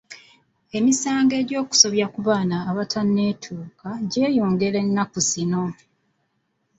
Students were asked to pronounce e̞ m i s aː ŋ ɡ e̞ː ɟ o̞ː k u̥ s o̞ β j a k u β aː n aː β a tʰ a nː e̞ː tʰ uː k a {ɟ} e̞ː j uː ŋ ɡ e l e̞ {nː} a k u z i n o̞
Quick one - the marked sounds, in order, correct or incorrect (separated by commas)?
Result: correct, correct